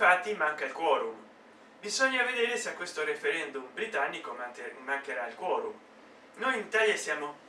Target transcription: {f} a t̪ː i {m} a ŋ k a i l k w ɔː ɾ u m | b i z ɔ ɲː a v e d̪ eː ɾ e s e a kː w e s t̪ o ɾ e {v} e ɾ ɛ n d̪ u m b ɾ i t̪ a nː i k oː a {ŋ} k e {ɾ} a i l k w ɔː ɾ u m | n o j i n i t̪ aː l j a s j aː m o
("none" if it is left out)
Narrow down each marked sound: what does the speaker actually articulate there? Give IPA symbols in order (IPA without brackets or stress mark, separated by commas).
f, m, f, ŋ, ɾ